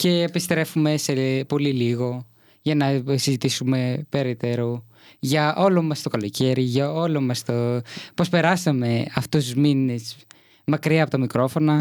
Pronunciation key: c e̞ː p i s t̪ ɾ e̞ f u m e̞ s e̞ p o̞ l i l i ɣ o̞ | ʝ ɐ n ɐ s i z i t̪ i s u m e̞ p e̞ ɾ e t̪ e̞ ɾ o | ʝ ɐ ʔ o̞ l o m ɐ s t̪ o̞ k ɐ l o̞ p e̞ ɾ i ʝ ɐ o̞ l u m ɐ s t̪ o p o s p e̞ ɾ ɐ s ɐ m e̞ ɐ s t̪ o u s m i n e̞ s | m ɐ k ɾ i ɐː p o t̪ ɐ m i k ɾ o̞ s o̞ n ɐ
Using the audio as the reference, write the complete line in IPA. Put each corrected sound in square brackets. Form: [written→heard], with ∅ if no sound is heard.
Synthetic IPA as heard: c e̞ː p i s t̪ ɾ e̞ f u m e̞ s e̞ p o̞ l i l i ɣ o̞ | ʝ ɐ n ɐ s i z i t̪ i s u m e̞ p e̞ ɾ e t̪ e̞ ɾ o | ʝ ɐ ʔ o̞ l o m ɐ s t̪ o̞ k ɐ l o̞ [p→c] e̞ ɾ i ʝ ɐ o̞ l [u→o] m ɐ s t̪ o p o s p e̞ ɾ ɐ s ɐ m e̞ ɐ [s→f] t̪ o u [s→z] m i n e̞ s | m ɐ k ɾ i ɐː p o t̪ ɐ m i k ɾ o̞ [s→f] o̞ n ɐ